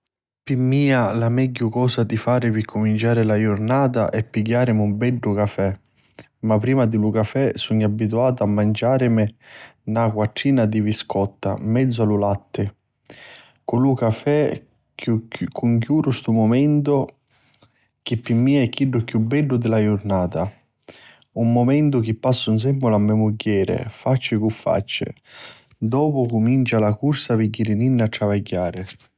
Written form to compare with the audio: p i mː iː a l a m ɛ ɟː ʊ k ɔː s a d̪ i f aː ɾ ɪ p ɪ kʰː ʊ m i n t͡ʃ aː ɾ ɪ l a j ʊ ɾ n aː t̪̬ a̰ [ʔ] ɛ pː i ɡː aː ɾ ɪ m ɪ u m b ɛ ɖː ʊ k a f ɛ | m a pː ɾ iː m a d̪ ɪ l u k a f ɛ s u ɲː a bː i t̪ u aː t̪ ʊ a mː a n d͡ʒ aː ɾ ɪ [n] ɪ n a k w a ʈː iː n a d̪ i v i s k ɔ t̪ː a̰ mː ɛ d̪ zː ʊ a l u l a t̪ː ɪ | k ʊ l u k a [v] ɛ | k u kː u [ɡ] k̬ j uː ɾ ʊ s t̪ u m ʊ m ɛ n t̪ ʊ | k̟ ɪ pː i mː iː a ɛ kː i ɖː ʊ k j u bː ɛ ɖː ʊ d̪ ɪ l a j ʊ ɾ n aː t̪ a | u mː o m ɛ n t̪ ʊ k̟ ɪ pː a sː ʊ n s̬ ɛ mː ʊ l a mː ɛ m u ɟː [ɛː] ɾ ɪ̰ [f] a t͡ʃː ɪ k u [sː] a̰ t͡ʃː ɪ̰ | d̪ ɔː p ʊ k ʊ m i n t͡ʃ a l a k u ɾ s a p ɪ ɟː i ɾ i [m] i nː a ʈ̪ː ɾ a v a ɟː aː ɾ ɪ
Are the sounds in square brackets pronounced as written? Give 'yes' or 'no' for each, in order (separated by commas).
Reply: yes, no, no, no, yes, yes, no, no